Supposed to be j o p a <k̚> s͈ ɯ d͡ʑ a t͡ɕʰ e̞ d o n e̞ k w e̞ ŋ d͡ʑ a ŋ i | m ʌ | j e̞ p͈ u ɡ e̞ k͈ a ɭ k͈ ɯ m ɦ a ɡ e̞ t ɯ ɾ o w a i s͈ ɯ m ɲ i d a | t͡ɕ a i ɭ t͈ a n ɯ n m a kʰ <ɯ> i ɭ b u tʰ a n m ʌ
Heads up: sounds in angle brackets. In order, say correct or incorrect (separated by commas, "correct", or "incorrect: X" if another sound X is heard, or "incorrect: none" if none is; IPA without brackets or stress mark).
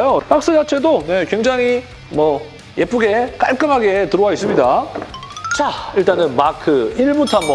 correct, correct